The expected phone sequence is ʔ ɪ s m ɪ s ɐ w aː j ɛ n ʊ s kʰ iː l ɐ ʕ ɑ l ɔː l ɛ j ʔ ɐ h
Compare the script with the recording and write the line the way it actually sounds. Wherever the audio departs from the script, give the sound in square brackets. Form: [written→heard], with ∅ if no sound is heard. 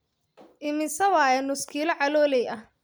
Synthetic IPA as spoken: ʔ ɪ [s→∅] m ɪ s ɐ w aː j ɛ n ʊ s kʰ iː l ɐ ʕ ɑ l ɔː l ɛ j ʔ ɐ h